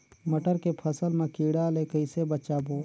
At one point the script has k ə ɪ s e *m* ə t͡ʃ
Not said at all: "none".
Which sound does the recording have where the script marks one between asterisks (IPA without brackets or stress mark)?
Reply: b